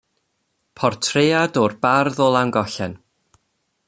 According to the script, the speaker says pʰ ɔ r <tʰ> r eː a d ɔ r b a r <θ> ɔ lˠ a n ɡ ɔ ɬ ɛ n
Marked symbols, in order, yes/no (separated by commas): yes, no